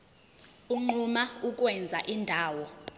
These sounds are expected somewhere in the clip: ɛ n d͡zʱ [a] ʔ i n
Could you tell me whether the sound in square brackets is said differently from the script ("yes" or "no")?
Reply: no